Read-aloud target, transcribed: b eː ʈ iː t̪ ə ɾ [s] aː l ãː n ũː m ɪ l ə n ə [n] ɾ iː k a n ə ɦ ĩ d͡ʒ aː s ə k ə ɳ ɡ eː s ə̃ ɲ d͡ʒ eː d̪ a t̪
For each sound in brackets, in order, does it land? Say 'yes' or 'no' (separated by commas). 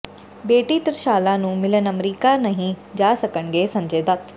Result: no, no